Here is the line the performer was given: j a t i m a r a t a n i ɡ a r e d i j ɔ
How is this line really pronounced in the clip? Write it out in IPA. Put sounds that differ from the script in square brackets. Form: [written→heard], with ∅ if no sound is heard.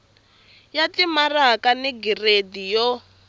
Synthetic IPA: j a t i m a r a [t→k] a n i ɡ [a→i] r e d i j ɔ